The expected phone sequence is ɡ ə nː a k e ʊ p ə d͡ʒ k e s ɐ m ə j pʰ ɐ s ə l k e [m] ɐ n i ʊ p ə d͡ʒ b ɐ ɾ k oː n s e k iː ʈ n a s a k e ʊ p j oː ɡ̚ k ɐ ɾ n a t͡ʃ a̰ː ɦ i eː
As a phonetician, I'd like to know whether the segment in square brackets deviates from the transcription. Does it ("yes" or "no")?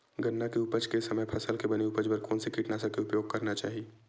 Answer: yes